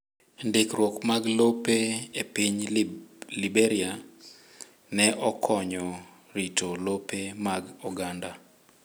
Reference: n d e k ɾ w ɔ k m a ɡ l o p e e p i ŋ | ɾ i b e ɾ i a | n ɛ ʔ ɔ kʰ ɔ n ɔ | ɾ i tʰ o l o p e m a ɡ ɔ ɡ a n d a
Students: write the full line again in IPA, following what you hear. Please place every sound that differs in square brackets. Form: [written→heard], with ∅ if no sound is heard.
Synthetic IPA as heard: n d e k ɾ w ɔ k m a ɡ l o p e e p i [ŋ→ɲ] | [ɾ→l] i b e ɾ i a | n ɛ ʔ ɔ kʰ ɔ [n→ɲ] ɔ | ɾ i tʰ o l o p e m a ɡ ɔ ɡ a n d a